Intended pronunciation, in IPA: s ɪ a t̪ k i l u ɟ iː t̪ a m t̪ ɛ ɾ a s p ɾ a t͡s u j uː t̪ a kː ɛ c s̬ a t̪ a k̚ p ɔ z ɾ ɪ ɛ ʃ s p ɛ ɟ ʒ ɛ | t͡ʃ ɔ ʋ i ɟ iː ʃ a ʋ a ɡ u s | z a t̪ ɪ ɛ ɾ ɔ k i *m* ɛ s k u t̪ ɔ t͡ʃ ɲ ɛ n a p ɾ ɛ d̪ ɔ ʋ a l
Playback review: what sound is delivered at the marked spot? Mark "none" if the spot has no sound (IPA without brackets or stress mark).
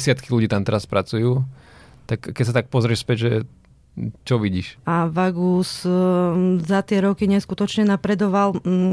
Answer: ɲ